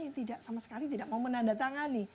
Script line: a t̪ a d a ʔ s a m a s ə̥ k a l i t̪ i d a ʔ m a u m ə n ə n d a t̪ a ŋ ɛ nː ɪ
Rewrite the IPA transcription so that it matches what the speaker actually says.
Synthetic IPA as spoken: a t̪ i d a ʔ s a m a s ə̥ k a l i t̪ i d a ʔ m a u m ə n a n d a t̪ a ŋ a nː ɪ